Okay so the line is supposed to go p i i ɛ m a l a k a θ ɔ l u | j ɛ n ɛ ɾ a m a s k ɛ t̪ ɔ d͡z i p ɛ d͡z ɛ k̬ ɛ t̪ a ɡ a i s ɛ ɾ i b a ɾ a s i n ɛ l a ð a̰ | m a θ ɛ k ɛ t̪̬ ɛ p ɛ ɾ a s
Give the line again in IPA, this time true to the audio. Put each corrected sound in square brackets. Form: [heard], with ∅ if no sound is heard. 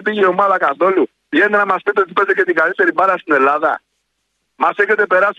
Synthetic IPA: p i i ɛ m a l a k a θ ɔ l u | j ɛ n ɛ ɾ a m a s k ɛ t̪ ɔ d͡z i p ɛ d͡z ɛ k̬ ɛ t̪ [i] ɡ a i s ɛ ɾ i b a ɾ a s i n ɛ l a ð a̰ | m a [s] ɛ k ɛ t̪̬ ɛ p ɛ ɾ a s